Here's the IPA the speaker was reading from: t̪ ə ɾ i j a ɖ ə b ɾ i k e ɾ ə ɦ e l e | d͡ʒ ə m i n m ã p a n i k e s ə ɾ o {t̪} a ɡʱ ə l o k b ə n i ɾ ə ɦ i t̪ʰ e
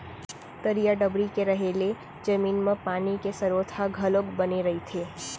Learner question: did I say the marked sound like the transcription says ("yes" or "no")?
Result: no